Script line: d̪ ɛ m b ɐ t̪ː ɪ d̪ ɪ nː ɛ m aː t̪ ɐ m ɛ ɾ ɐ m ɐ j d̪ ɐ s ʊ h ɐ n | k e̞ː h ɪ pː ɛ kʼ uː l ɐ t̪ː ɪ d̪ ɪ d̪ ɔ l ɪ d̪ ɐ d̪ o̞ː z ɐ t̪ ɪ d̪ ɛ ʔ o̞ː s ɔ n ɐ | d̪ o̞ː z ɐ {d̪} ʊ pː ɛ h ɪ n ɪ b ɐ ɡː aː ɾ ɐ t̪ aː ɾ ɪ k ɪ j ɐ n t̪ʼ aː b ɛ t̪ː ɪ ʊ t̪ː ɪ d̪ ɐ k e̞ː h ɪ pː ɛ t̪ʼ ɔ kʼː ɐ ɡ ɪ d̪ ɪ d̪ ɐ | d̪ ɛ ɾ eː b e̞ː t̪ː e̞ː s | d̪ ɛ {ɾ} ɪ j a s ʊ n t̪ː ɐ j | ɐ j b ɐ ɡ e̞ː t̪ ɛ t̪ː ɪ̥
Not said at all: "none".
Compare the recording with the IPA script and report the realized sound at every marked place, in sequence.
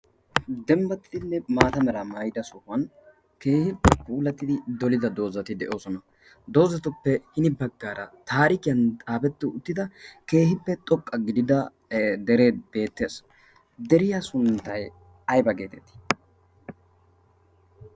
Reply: t̪, ɾ

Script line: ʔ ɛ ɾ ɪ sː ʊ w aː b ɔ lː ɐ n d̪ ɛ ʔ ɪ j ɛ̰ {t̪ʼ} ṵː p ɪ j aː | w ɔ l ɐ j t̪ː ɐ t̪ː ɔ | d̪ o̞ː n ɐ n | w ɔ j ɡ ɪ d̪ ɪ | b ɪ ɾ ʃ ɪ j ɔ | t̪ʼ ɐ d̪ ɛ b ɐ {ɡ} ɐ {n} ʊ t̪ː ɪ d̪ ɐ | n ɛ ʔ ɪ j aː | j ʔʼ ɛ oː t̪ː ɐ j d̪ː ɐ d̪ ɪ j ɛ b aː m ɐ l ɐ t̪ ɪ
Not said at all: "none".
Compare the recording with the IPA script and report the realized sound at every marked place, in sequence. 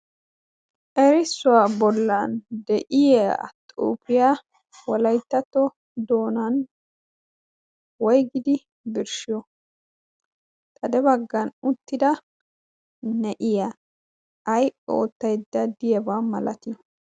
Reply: t̪ʼ, ɡː, n

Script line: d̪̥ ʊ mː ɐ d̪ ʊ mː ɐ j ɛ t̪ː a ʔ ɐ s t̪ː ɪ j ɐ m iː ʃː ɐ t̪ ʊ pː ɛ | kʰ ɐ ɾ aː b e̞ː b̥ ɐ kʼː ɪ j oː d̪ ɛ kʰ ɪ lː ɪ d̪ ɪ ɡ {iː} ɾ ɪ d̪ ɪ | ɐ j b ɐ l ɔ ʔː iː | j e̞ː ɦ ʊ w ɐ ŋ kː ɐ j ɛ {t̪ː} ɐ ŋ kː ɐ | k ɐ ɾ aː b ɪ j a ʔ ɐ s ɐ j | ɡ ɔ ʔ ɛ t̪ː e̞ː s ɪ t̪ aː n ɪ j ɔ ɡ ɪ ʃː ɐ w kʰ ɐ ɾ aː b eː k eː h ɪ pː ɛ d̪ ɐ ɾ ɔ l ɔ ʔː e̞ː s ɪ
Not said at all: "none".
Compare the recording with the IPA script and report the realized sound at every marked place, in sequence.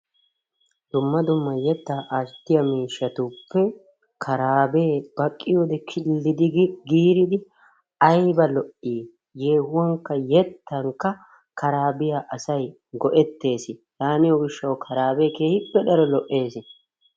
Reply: iː, t̪ː

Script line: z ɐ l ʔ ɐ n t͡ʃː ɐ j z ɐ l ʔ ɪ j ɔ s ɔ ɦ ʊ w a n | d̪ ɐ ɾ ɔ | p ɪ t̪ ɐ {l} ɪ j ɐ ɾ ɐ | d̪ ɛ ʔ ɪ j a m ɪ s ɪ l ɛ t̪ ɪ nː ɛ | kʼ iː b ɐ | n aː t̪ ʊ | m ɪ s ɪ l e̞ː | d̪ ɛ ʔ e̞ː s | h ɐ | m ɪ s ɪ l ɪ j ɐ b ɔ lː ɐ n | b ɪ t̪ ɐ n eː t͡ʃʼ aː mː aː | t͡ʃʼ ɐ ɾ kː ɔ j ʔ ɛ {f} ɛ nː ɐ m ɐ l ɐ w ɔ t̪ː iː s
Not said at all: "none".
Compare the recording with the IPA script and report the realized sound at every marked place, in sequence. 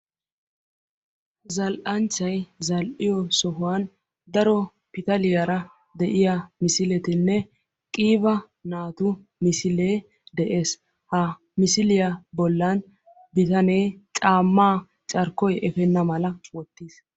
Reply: l, f

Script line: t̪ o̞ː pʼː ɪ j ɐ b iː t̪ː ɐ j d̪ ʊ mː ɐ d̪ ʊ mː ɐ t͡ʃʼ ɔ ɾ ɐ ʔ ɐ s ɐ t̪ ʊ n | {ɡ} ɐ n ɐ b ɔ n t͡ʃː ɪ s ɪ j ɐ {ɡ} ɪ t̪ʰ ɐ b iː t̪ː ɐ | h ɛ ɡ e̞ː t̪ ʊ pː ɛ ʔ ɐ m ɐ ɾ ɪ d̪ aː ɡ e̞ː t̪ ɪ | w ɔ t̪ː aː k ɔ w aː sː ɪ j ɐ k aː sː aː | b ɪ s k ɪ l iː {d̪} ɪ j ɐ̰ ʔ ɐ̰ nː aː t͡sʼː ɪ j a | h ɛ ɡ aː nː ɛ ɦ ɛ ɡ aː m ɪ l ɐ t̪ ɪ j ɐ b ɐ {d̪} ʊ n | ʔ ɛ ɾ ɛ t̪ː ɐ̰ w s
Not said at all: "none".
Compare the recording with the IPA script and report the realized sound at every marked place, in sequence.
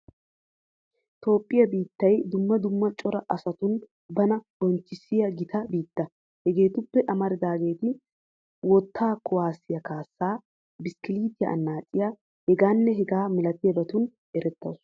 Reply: b, ɡ, t̪, t̪

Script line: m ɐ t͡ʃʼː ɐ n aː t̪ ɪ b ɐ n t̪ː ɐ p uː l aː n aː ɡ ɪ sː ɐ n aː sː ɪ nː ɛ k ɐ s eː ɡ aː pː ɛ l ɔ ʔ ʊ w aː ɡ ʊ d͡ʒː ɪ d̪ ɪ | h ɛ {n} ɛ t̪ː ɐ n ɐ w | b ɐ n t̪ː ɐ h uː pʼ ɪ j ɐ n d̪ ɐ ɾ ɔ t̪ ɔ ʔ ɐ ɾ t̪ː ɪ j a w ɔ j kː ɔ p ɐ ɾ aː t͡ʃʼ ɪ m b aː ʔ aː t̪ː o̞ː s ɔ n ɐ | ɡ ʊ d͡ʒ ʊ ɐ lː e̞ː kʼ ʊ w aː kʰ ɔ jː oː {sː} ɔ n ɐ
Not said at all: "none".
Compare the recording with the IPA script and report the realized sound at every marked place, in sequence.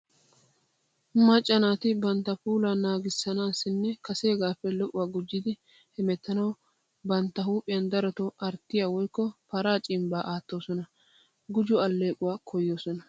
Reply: m, s

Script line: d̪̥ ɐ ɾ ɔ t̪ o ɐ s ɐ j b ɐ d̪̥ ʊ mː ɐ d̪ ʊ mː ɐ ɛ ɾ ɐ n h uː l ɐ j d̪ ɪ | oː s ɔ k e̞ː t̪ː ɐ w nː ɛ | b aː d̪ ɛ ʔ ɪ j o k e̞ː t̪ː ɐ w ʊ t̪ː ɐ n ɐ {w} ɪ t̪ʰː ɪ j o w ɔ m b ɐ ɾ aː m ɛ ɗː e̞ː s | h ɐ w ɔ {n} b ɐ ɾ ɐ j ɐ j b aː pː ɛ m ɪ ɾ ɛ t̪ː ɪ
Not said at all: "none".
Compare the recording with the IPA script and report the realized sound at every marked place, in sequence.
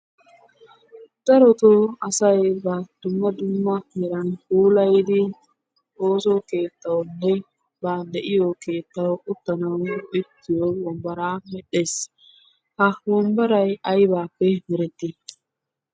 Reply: w, m

